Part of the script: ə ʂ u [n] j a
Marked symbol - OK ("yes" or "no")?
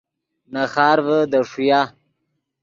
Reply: no